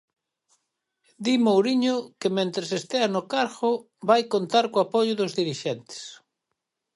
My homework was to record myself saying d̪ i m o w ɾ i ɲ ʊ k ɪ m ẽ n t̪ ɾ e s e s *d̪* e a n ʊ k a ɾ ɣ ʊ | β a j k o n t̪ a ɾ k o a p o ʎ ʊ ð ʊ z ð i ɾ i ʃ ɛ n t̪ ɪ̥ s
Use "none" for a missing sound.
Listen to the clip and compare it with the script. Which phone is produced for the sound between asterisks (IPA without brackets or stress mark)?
t̪